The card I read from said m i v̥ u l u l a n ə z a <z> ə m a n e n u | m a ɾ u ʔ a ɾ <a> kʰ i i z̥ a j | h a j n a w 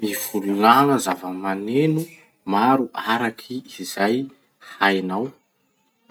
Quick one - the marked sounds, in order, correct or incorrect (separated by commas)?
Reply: incorrect, correct